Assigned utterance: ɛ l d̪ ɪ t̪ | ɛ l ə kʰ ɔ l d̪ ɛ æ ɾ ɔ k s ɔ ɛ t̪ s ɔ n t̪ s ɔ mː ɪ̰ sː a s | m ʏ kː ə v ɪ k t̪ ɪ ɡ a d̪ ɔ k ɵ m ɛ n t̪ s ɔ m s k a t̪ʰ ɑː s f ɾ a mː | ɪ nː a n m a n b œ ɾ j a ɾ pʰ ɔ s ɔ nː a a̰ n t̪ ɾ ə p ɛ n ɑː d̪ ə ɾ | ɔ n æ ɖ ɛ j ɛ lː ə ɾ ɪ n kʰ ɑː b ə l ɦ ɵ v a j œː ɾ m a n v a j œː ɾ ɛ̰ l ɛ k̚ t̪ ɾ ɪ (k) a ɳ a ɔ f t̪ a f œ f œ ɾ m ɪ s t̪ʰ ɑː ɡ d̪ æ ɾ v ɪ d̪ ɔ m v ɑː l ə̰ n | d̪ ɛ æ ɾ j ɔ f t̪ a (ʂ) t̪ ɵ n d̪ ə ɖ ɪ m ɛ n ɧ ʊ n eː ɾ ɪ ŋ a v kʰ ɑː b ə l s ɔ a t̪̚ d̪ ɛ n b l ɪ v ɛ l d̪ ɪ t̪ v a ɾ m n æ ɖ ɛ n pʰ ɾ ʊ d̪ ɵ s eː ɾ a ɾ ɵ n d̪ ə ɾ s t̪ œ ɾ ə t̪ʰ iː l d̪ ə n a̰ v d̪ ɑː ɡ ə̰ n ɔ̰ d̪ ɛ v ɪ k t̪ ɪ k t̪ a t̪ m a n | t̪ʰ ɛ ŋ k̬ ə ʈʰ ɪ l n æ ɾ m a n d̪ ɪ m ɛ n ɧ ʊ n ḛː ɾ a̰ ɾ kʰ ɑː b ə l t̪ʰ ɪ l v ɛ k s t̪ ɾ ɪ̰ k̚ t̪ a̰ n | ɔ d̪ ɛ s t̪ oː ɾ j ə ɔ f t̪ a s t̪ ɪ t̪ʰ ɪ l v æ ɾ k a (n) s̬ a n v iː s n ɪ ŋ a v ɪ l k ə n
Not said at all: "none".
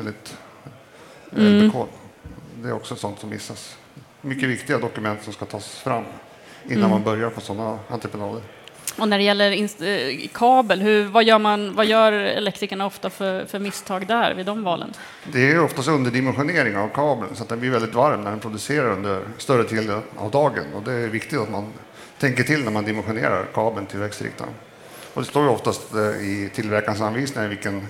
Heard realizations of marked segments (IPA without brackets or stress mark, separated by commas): k, s, n